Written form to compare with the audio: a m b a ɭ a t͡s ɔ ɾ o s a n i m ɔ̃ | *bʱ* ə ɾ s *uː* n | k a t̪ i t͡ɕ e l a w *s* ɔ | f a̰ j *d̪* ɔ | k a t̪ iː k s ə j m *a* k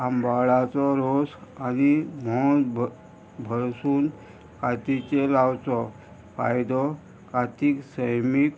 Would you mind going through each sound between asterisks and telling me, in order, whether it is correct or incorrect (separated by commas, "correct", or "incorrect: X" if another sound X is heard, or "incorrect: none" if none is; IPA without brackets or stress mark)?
correct, correct, incorrect: t͡s, correct, incorrect: i